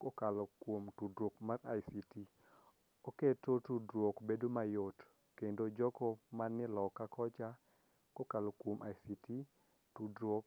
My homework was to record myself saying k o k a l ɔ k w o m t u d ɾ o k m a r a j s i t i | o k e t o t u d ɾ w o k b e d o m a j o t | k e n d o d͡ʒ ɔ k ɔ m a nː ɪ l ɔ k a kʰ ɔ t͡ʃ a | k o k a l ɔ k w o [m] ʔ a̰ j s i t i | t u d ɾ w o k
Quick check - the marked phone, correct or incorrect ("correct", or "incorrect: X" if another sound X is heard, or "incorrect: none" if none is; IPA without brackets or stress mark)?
correct